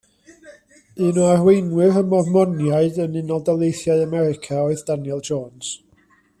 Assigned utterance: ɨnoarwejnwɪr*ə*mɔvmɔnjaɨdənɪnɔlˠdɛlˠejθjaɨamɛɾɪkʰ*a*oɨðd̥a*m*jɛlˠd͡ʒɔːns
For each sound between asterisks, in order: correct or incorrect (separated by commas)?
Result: correct, correct, incorrect